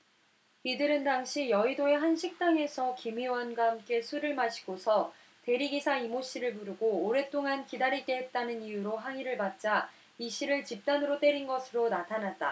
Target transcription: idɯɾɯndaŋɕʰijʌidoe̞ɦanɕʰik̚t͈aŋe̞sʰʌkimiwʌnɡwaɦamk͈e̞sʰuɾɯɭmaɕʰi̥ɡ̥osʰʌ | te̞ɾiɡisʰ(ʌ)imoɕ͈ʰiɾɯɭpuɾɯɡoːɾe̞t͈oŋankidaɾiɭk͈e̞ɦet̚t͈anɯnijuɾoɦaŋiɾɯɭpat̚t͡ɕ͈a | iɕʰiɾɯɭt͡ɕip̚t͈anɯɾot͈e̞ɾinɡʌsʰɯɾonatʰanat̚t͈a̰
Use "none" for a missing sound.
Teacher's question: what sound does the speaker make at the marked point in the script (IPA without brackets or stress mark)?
a